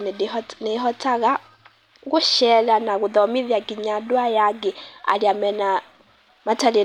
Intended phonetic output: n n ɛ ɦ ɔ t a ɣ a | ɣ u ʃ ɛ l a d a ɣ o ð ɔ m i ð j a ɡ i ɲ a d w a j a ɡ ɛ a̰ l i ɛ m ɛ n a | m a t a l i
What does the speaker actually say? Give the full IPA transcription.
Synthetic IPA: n n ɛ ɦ ɔ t a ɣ a | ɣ u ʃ ɛ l a n a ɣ u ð ɔ m i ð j a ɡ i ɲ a d w a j a ɡ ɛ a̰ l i a m ɛ n a | m a t a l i